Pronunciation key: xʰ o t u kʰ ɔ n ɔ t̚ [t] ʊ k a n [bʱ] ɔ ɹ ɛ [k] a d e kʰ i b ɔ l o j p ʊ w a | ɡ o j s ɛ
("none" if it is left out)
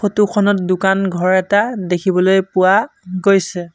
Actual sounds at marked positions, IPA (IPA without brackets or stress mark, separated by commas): d, ɡʱ, t